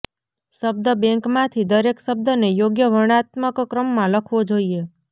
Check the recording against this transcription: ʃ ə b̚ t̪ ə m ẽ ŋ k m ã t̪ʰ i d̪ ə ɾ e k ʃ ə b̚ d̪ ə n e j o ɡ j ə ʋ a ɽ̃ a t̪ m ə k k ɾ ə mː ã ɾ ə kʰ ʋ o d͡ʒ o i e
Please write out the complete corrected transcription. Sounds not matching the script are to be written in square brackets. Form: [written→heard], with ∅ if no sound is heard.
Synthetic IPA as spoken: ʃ ə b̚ [t̪→d̪] ə [m→b] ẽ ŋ k m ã t̪ʰ i d̪ ə ɾ e k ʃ ə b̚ d̪ ə n e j o ɡ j ə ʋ [a→ə] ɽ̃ a t̪ m ə k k ɾ ə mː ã [ɾ→l] ə kʰ ʋ o d͡ʒ o i e

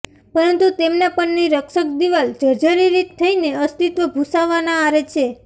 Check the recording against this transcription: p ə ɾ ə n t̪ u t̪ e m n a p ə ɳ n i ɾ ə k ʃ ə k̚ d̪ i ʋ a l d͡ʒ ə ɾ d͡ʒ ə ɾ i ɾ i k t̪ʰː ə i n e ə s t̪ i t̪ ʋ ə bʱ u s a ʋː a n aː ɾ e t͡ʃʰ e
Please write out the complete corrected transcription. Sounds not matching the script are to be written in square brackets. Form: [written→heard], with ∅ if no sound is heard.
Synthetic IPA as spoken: p ə ɾ ə n t̪ u t̪ e m n a p ə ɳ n i ɾ ə k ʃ ə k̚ d̪ i ʋ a l d͡ʒ ə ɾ d͡ʒ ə ɾ i ɾ i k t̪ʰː ə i n e ə s t̪ i t̪ ʋ ə bʱ u s a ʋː a n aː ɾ e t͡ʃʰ e

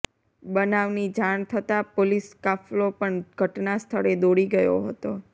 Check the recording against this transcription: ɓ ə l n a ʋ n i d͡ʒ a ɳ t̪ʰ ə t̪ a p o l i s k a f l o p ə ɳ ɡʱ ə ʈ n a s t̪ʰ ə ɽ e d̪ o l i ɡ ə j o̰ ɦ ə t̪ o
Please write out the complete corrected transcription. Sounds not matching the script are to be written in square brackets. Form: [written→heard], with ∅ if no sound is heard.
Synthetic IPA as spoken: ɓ ə [l→∅] n a ʋ n i d͡ʒ a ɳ t̪ʰ ə t̪ a p o l i s k a f l o p ə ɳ ɡʱ ə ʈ n a s t̪ʰ ə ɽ e d̪ o [l→ɽ] i ɡ ə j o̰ ɦ ə t̪ o

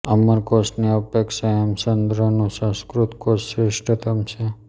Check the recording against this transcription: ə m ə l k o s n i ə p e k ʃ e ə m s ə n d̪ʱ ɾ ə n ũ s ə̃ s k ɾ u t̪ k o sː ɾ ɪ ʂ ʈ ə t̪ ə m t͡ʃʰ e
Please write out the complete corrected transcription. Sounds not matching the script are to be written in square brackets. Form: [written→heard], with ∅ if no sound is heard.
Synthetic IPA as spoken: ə m ə [l→ɾ] k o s n i ə p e k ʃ [e→a] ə m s ə n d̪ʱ ɾ ə n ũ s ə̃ s k ɾ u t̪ k o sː ɾ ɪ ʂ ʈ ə t̪ ə m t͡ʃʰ e

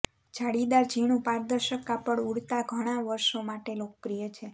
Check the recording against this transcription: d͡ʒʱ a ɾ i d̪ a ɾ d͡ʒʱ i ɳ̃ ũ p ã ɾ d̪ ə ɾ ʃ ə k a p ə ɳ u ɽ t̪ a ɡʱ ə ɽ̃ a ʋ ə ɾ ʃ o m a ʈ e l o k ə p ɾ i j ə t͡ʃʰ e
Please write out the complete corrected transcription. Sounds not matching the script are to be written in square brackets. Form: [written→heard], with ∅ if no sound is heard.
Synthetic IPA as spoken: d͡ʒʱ a [ɾ→ɽ] i d̪ a ɾ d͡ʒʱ i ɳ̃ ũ p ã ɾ d̪ ə ɾ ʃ ə k a p ə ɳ u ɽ t̪ a ɡʱ ə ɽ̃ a ʋ ə ɾ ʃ o m a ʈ e l o k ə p ɾ i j ə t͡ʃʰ e

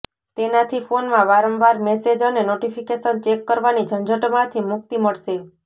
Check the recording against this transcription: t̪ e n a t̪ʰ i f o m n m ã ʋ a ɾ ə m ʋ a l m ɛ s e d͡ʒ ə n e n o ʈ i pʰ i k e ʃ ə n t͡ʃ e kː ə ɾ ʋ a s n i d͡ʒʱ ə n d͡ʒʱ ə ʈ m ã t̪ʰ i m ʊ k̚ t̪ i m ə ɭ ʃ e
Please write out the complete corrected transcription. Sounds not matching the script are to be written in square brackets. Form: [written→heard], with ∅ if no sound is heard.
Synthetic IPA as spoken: t̪ e n a t̪ʰ i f o [m→∅] n m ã ʋ a ɾ ə m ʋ a [l→ɾ] m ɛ s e d͡ʒ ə n e n o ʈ i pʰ i k e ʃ ə n t͡ʃ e kː ə ɾ ʋ a [s→∅] n i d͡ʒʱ ə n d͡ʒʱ ə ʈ m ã t̪ʰ i m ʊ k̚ t̪ i m ə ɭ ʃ e

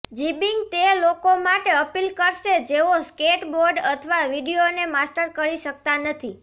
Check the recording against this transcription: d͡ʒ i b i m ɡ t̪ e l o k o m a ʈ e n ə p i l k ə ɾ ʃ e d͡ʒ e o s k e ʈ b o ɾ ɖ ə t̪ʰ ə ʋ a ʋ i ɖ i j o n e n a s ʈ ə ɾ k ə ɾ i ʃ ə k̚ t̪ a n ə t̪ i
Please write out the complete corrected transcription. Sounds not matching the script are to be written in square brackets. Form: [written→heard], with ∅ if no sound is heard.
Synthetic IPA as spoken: d͡ʒ i b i [m→ŋ] ɡ t̪ e l o k o m a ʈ e [n→∅] ə p i l k ə ɾ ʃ e d͡ʒ e o s k e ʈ b o ɾ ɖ ə t̪ʰ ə ʋ a ʋ i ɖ i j o n e [n→m] a s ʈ ə ɾ k ə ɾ i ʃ ə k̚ t̪ a n ə [t̪→t̪ʰ] i

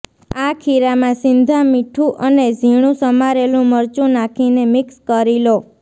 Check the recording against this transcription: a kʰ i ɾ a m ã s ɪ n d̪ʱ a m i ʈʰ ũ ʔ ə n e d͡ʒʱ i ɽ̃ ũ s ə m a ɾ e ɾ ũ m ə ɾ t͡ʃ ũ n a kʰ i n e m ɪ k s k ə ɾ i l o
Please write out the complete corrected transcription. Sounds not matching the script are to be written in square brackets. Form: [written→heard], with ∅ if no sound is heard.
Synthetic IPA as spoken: a kʰ i ɾ a m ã s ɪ n d̪ʱ a m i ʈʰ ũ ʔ ə n e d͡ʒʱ i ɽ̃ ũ s ə m a ɾ e [ɾ→l] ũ m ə ɾ t͡ʃ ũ n a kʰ i n e m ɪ k s k ə ɾ i l o

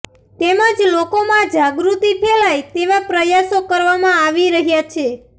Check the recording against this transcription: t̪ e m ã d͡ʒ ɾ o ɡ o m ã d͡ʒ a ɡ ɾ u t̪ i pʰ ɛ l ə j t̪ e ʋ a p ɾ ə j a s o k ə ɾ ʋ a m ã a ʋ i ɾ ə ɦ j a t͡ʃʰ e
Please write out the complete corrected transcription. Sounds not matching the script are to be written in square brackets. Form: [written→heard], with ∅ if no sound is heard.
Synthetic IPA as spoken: t̪ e m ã d͡ʒ [ɾ→l] o [ɡ→k] o m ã d͡ʒ a ɡ ɾ u t̪ i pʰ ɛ l [ə→a] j t̪ e ʋ a p ɾ ə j a s o k ə ɾ ʋ a m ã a ʋ i ɾ ə ɦ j a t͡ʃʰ e

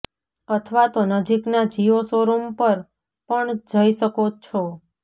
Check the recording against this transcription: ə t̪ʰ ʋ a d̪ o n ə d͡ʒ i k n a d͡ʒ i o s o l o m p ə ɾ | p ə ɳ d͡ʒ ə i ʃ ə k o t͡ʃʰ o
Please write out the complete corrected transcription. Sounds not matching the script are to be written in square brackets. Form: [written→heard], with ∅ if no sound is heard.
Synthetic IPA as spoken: ə t̪ʰ ʋ a [d̪→t̪] o n ə d͡ʒ i k n a d͡ʒ i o s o [l→ɾ] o m p ə ɾ | p ə ɳ d͡ʒ ə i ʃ ə k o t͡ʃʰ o

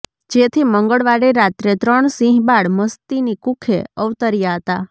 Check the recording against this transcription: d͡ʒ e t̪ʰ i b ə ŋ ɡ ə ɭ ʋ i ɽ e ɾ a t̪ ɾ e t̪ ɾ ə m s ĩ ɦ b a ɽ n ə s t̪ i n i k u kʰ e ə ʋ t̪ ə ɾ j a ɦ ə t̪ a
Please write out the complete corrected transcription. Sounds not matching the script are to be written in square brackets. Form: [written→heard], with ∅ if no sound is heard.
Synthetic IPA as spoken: d͡ʒ e t̪ʰ i [b→m] ə ŋ ɡ ə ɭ ʋ [i→a] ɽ e ɾ a t̪ ɾ e t̪ ɾ ə [m→ɳ] s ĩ ɦ b a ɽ [n→m] ə s t̪ i n i k u kʰ e ə ʋ t̪ ə ɾ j a ɦ ə t̪ a

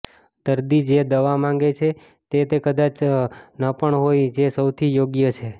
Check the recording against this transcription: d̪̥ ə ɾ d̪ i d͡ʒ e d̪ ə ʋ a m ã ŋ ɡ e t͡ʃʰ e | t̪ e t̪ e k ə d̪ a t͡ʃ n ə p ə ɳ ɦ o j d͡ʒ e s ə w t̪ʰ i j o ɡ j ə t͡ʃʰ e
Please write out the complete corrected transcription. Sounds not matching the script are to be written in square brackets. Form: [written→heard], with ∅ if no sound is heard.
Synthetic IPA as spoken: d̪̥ ə ɾ d̪ i d͡ʒ e d̪ ə ʋ a m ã ŋ ɡ e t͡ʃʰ e | t̪ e t̪ e k ə d̪ a t͡ʃ n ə p ə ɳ ɦ o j d͡ʒ e s ə w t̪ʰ i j o ɡ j ə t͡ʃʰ e

